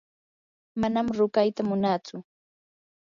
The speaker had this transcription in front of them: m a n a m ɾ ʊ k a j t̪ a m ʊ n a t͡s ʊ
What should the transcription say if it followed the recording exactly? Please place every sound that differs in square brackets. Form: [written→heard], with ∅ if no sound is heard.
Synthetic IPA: m a n a m ɾ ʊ k a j t̪ a m ʊ n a t͡s ʊ

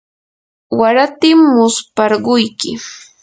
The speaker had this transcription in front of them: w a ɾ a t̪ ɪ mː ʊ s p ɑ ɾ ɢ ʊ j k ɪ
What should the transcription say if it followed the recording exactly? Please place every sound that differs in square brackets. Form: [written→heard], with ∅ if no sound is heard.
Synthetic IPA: w a ɾ a t̪ ɪ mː ʊ s p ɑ ɾ ɢ ʊ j k ɪ

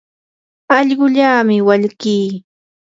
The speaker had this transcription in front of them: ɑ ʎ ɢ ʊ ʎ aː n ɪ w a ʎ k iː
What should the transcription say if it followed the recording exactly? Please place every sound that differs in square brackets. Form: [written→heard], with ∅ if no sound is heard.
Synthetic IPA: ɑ ʎ ɢ ʊ ʎ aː [n→m] ɪ w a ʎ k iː

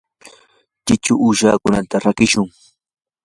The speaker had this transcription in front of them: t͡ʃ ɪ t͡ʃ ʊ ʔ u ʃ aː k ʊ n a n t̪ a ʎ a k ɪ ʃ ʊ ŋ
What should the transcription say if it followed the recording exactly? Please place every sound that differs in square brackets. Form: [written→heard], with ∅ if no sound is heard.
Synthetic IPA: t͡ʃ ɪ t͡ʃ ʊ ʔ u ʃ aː k ʊ n a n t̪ a [ʎ→ɾ] a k ɪ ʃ ʊ ŋ

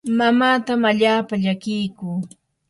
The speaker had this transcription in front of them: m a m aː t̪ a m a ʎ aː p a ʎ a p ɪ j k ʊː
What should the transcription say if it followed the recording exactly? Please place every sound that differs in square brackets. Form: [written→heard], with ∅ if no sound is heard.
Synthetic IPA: m a m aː t̪ a m a ʎ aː p a ʎ a [p→k] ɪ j k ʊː

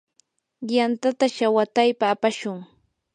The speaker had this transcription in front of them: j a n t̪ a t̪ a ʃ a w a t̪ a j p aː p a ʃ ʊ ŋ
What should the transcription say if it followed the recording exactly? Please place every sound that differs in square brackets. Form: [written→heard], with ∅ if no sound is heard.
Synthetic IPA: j a n t̪ a t̪ a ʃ a w a t̪ a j p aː p a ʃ ʊ ŋ

